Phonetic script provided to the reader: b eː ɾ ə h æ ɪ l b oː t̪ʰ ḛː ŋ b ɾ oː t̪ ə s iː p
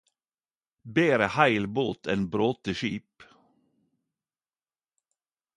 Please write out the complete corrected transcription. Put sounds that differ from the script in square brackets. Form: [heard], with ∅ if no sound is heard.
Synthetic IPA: b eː ɾ ə h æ ɪ l b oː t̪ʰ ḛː [n] b ɾ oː t̪ ə [ʃ] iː p